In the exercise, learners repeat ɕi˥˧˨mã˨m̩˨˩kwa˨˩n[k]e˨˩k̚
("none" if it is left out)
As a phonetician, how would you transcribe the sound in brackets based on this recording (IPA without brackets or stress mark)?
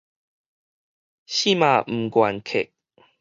kʰ